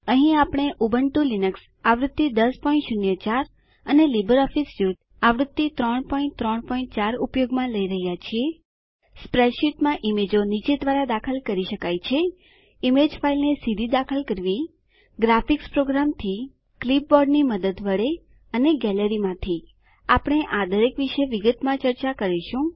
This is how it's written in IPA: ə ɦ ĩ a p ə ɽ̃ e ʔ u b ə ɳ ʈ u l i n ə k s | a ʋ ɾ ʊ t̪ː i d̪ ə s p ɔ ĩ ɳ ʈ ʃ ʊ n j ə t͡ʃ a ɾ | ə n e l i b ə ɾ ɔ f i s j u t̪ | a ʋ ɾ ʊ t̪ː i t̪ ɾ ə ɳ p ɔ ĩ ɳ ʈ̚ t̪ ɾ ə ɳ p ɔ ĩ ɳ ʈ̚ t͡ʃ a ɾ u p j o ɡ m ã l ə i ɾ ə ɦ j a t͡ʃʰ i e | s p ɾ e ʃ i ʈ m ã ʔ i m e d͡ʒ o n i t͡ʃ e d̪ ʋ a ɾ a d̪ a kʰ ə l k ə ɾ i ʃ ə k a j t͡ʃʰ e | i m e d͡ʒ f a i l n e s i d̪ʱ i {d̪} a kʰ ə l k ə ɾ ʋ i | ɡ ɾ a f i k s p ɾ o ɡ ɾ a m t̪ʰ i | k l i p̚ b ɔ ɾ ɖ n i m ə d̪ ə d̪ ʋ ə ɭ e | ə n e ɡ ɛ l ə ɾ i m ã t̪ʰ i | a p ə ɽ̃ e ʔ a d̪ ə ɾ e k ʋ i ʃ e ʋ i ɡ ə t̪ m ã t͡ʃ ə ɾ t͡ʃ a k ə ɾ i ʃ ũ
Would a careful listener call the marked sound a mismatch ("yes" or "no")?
no